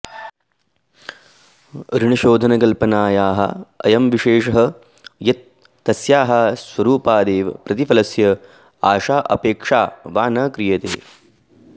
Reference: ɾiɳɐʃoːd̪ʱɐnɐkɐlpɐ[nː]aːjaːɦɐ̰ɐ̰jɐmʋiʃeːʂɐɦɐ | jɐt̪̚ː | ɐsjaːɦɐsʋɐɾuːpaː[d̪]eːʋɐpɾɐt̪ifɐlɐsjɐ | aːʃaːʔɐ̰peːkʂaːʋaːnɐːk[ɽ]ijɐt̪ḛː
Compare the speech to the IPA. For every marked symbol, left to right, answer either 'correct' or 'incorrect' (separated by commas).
incorrect, correct, incorrect